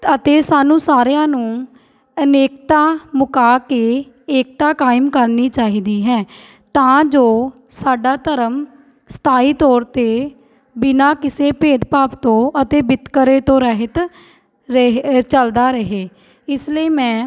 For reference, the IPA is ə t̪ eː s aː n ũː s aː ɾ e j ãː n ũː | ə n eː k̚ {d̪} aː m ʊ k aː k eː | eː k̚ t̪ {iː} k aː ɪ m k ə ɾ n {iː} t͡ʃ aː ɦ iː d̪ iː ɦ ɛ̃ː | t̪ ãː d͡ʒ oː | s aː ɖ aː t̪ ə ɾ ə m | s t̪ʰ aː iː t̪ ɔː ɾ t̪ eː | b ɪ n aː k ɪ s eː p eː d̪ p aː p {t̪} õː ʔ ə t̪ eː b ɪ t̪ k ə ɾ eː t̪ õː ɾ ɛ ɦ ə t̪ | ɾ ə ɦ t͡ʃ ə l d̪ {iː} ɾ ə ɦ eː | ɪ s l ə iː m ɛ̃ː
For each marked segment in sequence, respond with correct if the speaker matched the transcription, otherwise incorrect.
incorrect: t̪, incorrect: aː, correct, correct, incorrect: aː

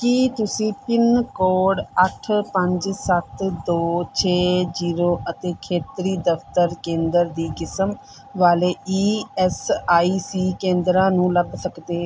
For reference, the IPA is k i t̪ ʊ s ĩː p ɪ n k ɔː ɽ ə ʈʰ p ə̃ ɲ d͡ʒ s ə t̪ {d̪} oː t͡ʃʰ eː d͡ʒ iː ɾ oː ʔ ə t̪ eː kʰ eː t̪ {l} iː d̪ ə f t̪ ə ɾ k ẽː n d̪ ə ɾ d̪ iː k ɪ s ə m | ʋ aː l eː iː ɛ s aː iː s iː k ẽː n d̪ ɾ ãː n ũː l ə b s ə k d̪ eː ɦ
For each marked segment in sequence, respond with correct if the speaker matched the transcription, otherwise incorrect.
correct, incorrect: ɾ

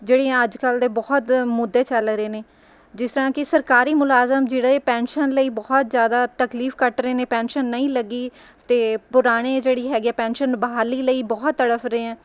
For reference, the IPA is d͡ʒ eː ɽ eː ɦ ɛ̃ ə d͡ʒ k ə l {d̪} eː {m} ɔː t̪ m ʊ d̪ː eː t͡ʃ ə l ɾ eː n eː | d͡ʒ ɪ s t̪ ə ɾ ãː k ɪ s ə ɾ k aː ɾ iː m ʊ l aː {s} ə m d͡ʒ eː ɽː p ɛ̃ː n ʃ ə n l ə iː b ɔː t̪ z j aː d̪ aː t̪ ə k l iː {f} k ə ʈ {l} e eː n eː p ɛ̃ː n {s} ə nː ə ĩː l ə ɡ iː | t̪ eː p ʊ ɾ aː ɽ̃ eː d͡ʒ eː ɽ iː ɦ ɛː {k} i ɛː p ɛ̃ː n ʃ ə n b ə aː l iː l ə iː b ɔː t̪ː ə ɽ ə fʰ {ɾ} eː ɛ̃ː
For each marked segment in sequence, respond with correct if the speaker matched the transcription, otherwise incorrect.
correct, incorrect: b, incorrect: z, correct, incorrect: ɾ, incorrect: ʃ, incorrect: ɡ, correct

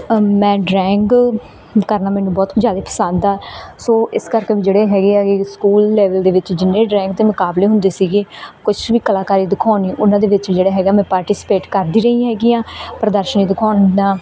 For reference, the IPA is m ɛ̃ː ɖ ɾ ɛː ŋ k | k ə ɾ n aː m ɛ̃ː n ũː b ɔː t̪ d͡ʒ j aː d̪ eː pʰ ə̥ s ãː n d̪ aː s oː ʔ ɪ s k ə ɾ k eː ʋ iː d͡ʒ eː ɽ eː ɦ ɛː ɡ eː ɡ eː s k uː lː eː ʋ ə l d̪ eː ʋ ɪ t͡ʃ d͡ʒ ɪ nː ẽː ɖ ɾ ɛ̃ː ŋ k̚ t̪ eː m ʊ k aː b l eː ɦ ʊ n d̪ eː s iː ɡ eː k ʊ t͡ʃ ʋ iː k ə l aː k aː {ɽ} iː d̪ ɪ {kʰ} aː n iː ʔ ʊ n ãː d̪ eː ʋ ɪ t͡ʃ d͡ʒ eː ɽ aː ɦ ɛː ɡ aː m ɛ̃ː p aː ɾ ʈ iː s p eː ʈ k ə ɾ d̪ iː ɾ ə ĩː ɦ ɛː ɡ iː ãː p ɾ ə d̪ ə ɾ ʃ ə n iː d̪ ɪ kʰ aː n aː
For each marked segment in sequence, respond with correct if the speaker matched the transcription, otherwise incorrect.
incorrect: ɾ, correct

